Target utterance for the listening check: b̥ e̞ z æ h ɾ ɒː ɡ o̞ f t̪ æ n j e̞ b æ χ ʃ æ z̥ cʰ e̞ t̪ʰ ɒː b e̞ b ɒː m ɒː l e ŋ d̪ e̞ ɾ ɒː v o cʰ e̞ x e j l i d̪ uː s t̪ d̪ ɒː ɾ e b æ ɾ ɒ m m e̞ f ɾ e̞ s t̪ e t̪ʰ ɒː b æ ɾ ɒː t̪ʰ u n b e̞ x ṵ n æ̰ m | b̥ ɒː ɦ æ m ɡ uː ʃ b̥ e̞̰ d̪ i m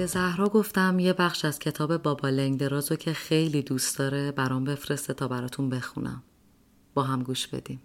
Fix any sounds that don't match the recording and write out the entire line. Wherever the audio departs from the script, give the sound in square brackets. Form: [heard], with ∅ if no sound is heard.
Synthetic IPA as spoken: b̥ e̞ z æ h ɾ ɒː ɡ o̞ f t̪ æ [m] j e̞ b æ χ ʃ æ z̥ cʰ e̞ t̪ʰ ɒː b e̞ b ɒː [b] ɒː l e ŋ d̪ e̞ ɾ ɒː [z] o cʰ e̞ x e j l i d̪ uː s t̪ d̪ ɒː ɾ e b æ ɾ ɒ m [b] e̞ f ɾ e̞ s t̪ e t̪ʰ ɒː b æ ɾ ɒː t̪ʰ u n b e̞ x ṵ n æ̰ m | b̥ ɒː ɦ æ m ɡ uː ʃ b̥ e̞̰ d̪ i m